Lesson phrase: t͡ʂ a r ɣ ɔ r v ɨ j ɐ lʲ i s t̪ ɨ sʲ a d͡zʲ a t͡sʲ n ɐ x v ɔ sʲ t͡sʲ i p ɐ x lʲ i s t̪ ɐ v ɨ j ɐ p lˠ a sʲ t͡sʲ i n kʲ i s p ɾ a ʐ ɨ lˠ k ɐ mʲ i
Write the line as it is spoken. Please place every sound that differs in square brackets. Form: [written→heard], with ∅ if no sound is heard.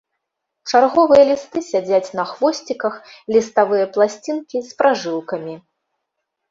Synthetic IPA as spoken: t͡ʂ a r ɣ ɔ [r→∅] v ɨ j ɐ lʲ i s t̪ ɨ sʲ a d͡zʲ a t͡sʲ n ɐ x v ɔ sʲ t͡sʲ i [p→k] ɐ x lʲ i s t̪ [ɐ→a] v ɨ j ɐ p lˠ a sʲ t͡sʲ i n kʲ i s p ɾ a ʐ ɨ lˠ k ɐ mʲ i